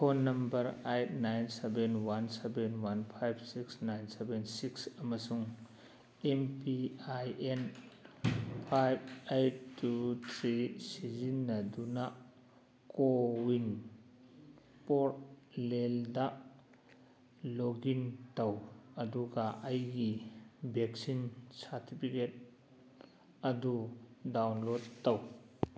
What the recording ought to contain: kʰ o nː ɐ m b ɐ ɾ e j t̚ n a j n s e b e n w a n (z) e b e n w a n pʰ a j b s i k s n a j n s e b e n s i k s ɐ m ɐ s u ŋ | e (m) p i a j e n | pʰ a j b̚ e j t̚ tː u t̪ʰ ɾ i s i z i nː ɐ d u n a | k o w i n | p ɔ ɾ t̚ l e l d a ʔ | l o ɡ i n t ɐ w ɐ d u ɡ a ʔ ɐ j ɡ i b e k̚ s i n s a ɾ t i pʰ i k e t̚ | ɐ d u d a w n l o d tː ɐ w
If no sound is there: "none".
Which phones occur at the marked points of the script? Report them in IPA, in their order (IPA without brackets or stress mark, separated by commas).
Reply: s, m